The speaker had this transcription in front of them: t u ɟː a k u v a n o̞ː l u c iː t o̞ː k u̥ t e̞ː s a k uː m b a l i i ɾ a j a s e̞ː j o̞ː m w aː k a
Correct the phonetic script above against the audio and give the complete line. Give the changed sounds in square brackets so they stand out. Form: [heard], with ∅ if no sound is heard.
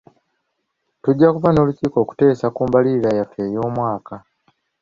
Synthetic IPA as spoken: t u ɟː a k u v a n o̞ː l u c iː [k] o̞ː k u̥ t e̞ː s a k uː m b a l i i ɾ a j a [f] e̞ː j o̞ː m w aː k a

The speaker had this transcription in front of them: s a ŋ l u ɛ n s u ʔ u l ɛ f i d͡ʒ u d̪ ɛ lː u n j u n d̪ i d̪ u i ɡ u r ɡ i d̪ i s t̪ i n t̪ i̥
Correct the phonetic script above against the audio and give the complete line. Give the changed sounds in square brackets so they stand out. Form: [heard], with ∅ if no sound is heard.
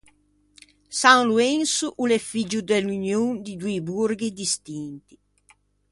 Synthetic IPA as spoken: s a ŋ l u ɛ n s u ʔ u l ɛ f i d͡ʒ u d̪ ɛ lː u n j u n d̪ i d̪ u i [b] u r ɡ i d̪ i s t̪ i n t̪ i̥

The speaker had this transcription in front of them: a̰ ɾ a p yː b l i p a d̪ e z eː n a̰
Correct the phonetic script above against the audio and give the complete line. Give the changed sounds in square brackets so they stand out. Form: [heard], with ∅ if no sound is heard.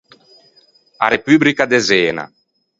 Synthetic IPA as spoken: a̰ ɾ [e] p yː b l i [k] a d̪ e z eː n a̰

